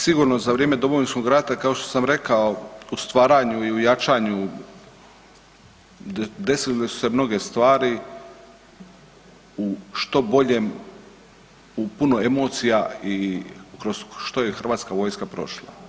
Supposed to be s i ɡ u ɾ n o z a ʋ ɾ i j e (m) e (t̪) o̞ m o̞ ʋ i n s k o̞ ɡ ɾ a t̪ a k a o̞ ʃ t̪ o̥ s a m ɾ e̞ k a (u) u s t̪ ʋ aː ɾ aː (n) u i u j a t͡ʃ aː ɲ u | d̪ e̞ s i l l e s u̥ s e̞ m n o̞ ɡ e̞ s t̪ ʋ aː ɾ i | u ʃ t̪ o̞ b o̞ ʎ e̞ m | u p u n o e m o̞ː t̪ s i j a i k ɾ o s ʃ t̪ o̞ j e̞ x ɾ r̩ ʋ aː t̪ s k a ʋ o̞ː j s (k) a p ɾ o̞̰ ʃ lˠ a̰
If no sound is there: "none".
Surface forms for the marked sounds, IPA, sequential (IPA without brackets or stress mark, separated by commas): m, d̪, o, ɲ, k